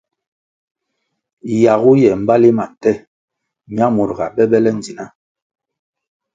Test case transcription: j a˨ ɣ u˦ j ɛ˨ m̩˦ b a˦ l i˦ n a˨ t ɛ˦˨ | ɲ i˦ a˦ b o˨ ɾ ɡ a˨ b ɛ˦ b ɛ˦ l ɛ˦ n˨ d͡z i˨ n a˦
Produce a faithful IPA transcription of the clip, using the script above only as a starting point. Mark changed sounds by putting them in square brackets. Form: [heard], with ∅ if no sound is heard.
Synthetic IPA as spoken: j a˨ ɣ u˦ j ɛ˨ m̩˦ b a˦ l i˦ [m] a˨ t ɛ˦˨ | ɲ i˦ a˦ [m] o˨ ɾ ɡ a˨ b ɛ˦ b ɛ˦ l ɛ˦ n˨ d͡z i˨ n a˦